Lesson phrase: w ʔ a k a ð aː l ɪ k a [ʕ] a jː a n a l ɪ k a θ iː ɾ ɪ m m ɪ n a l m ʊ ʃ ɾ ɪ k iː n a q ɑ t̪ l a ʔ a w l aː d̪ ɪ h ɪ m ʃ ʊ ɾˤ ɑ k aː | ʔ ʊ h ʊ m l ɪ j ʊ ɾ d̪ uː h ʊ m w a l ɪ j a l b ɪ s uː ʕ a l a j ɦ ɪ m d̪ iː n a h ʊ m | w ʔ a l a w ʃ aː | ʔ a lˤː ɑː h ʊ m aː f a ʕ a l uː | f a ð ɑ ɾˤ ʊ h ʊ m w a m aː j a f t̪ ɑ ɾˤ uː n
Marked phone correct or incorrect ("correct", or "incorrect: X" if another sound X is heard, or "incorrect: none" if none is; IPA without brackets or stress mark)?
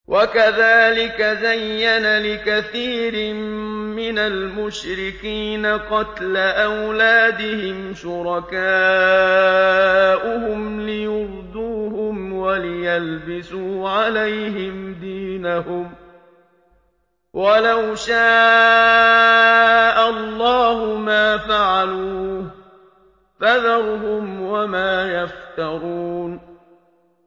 incorrect: z